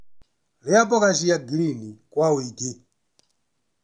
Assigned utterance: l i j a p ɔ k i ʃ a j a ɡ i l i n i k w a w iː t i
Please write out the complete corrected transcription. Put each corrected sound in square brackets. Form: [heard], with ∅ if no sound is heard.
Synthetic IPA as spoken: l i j a p ɔ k [a] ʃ [i] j a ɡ i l i n i k w a w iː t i